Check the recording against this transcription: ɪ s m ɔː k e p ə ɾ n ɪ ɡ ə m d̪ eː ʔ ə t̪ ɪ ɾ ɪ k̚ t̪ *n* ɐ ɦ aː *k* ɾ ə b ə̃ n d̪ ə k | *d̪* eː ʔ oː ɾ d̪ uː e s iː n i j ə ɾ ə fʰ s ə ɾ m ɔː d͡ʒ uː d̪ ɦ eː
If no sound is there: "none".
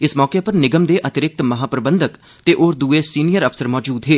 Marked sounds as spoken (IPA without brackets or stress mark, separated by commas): m, p, t̪